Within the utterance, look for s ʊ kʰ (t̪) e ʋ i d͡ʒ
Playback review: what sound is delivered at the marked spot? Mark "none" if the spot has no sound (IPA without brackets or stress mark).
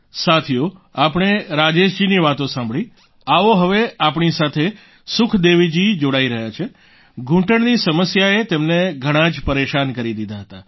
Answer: d̪